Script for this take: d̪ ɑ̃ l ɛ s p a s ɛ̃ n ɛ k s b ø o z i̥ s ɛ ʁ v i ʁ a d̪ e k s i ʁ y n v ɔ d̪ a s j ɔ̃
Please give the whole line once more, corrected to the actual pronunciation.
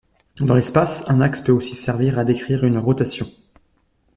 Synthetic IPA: d̪ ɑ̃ l ɛ s p a s ɛ̃ n a k s p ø o s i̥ s ɛ ʁ v i ʁ a d̪ e k χ i ʁ y n ʁ ɔ t̪ a s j ɔ̃